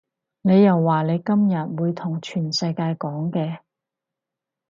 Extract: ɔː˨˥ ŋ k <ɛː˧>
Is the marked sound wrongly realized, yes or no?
no